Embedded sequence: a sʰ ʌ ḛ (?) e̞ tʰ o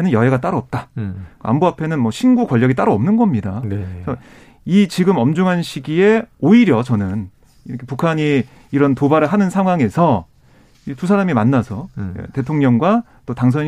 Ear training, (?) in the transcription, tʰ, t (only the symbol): t